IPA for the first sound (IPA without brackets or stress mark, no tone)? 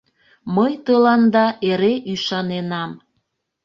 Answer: m